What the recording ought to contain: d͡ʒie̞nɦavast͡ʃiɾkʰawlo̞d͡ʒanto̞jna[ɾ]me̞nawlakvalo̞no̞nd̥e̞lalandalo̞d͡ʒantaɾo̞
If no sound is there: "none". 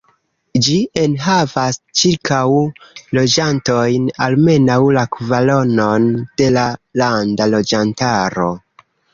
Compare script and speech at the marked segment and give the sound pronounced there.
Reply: l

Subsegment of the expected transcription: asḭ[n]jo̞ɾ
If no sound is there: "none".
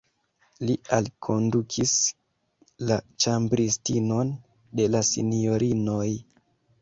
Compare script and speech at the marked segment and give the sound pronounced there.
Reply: n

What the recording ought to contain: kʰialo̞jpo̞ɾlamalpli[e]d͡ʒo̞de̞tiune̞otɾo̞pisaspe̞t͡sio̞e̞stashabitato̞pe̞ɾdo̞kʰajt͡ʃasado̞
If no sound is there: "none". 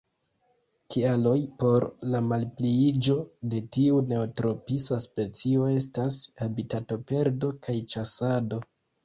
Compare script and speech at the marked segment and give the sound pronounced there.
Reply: i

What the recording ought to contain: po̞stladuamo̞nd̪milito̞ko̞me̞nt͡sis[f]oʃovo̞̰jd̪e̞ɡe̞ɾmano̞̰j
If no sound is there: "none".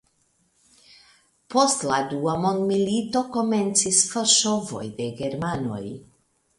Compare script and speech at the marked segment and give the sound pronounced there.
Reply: f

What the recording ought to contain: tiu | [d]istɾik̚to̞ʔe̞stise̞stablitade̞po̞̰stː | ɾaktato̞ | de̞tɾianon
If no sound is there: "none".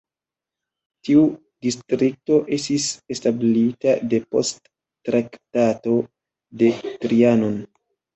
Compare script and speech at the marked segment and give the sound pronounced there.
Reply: d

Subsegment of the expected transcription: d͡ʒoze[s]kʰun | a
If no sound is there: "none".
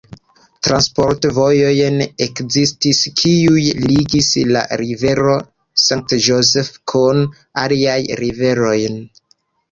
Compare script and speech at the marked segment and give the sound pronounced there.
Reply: f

